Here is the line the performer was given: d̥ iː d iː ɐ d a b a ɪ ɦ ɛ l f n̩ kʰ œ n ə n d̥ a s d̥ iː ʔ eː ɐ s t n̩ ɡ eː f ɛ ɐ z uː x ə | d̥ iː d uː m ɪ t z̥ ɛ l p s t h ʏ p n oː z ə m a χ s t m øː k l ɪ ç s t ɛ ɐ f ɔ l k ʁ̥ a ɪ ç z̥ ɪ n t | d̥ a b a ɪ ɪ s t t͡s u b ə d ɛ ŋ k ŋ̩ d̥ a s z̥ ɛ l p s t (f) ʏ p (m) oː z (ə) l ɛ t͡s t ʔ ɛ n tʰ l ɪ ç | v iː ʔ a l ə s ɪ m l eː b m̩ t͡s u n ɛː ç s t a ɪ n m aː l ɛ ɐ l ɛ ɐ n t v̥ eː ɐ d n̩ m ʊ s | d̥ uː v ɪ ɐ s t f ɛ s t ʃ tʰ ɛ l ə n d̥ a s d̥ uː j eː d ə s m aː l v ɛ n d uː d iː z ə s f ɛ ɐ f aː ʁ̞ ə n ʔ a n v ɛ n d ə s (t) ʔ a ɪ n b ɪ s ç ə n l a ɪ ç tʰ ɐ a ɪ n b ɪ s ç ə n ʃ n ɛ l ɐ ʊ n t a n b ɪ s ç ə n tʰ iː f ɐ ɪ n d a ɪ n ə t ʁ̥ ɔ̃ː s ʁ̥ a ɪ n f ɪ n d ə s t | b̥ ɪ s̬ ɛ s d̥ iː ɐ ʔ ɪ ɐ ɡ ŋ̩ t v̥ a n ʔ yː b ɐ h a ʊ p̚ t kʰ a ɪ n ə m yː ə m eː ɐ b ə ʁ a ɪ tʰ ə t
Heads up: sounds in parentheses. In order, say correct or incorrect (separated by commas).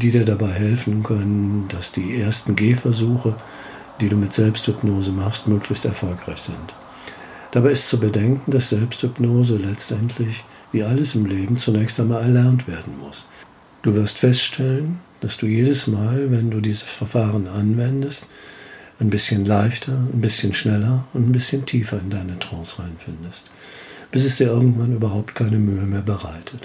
incorrect, incorrect, correct, correct